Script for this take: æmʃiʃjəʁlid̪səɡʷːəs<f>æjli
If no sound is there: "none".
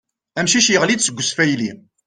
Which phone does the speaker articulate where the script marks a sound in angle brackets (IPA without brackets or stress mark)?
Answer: f